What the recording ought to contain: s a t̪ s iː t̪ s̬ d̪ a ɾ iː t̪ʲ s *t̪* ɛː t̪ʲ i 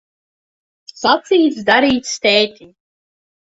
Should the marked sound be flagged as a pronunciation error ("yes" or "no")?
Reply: no